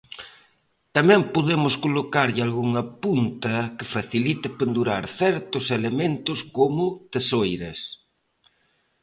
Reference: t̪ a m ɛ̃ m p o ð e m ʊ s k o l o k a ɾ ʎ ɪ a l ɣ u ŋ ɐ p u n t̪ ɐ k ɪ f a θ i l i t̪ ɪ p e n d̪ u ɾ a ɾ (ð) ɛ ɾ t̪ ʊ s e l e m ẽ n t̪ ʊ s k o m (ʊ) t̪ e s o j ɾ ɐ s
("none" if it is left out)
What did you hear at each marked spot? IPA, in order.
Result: θ, ʊ

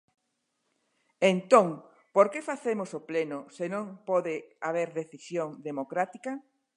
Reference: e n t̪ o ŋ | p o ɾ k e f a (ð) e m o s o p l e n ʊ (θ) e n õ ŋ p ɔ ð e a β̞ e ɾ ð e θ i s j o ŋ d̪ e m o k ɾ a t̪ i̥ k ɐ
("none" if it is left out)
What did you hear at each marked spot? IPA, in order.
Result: θ, s

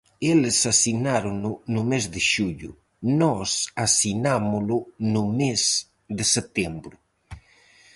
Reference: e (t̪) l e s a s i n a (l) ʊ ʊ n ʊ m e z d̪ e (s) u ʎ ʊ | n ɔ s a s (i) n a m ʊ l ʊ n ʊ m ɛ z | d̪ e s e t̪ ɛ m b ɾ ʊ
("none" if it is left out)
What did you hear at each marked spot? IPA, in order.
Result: none, ɾ, ʃ, i

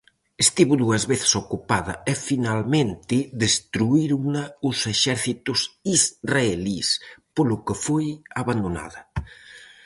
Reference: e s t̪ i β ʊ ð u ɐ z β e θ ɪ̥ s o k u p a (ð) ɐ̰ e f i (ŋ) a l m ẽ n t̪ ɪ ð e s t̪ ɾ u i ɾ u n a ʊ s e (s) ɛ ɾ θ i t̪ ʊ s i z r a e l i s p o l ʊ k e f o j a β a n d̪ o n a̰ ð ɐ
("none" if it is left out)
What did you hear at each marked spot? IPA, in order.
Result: ð, n, ʃ

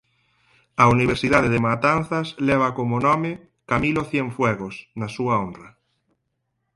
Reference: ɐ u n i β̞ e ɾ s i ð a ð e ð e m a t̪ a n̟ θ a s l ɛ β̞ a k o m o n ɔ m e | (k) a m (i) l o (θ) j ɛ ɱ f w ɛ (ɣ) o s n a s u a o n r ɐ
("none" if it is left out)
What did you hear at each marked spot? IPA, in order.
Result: k, i, θ, ɣ

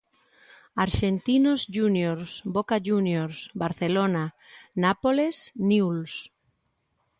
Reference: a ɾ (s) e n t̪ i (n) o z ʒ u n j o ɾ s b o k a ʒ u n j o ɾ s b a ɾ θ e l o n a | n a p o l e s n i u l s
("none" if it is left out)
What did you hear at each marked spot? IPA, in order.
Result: ʃ, n

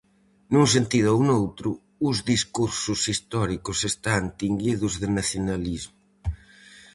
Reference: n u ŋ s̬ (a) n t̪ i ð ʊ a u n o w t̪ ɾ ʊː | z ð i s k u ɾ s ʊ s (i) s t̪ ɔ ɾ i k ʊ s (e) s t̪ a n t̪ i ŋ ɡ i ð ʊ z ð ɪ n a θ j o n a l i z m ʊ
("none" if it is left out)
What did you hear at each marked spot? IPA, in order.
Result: e, i, e

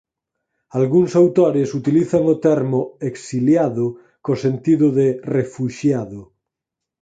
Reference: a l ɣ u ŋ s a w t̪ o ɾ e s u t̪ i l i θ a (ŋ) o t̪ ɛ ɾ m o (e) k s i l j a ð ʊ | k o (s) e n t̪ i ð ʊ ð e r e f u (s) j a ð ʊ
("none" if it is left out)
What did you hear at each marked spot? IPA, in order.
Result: ŋ, e, s, ʃ

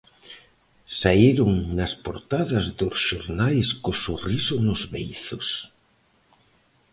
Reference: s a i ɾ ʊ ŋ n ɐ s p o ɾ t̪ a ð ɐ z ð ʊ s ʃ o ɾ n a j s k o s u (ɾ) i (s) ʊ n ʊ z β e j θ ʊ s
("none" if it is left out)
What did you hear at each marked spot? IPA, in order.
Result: r, s

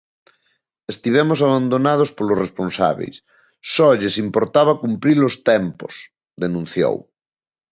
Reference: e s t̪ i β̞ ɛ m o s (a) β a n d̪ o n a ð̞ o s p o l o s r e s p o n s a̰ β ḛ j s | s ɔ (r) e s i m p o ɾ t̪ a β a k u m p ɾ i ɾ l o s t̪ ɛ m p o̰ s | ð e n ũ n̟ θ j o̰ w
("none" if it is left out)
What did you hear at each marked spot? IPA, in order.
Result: a, ʎ

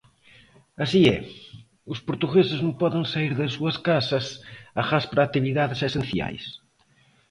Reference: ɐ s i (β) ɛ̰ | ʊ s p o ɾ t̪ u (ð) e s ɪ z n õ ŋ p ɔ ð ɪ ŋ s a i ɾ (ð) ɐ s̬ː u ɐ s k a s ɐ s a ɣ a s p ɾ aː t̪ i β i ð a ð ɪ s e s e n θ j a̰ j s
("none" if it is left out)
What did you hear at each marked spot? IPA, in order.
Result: none, ɣ, ð

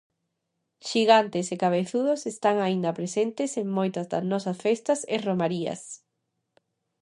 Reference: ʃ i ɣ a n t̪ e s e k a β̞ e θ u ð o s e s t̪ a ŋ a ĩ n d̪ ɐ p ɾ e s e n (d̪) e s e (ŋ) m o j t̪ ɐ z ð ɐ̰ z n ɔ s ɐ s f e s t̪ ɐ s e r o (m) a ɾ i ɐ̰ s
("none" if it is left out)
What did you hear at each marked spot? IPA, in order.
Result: t̪, ŋ, m

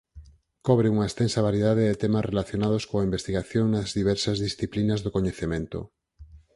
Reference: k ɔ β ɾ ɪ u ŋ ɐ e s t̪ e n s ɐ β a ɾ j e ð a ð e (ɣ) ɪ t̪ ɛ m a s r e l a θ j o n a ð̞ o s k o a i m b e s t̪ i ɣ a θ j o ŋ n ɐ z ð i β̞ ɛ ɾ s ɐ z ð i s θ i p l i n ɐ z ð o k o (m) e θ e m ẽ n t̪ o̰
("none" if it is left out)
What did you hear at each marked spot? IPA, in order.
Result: ð, ɲ

